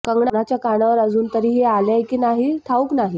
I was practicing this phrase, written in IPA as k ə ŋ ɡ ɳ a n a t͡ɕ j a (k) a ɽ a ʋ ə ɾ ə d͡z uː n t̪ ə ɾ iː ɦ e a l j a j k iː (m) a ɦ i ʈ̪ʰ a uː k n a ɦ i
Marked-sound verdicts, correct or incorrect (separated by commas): correct, incorrect